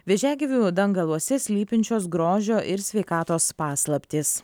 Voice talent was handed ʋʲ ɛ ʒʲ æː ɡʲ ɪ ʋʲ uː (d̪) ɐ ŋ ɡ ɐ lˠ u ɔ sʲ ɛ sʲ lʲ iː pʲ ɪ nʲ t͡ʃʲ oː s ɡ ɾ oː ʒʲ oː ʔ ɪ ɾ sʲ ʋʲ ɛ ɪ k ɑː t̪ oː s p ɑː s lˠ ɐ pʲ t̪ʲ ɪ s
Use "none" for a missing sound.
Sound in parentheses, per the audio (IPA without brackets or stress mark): d̪